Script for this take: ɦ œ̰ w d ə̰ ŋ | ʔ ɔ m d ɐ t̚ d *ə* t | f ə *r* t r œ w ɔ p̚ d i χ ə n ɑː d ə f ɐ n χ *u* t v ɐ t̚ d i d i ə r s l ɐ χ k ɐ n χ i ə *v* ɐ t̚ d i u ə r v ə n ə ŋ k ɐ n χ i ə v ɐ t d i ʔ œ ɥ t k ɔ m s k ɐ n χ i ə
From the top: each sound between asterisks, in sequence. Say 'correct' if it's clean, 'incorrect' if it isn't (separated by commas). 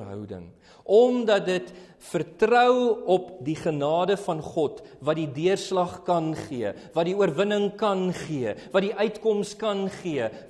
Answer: correct, correct, incorrect, correct